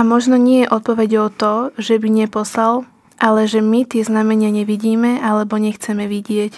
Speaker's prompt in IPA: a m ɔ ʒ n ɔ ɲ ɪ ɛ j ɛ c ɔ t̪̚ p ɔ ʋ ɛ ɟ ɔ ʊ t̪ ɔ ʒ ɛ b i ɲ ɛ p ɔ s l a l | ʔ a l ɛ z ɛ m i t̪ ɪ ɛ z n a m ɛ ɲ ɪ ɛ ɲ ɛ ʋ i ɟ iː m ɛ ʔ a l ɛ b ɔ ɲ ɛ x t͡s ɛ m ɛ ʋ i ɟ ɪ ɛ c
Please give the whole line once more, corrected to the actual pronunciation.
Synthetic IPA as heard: a m ɔ ʒ n ɔ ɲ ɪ ɛ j ɛ ʔ ɔ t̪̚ p ɔ ʋ ɛ ɟ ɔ ʊ t̪ ɔ ʒ ɛ b i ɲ ɛ p ɔ s l a l | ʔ a l ɛ ʒ ɛ m i t̪ ɪ ɛ z n a m ɛ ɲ ɪ a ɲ ɛ ʋ i ɟ iː m ɛ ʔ a l ɛ b ɔ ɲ ɛ x t͡s ɛ m ɛ ʋ i ɟ ɪ ɛ c